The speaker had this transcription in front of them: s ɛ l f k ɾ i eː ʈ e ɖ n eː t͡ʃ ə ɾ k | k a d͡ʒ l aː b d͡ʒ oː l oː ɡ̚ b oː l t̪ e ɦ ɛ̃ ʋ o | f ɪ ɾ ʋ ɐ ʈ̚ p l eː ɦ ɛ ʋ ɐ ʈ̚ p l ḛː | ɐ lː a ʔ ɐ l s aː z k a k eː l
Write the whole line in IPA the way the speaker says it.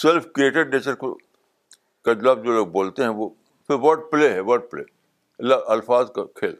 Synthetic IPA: s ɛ l f k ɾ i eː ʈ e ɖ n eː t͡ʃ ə ɾ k | k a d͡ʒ l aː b d͡ʒ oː l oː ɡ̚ b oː l t̪ e ɦ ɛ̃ ʋ o | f ɪ ɾ ʋ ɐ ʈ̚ p l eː ɦ ɛ ʋ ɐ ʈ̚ p l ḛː | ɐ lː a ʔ ɐ l f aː z k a kʰ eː l